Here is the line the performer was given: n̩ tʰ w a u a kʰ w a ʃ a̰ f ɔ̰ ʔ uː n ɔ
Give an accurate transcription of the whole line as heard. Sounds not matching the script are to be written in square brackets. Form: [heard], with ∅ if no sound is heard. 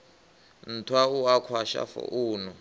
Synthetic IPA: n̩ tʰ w a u a kʰ w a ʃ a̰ f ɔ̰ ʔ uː n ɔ